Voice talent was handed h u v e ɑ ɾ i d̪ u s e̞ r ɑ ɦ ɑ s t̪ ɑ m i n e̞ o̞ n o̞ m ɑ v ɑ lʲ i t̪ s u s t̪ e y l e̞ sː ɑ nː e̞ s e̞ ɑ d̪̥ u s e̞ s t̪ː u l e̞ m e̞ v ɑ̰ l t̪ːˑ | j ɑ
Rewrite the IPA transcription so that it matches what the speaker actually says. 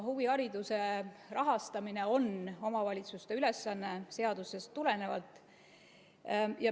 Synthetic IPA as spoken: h u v i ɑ ɾ i d̪ u s e̞ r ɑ ɦ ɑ s t̪ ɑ m i n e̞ o̞ n o̞ m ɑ v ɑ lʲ i t̪ s u s t̪ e y l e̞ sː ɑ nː e̞ s e̞ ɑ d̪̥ u s e̞ s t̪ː u l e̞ n e̞ v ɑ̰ l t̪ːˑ | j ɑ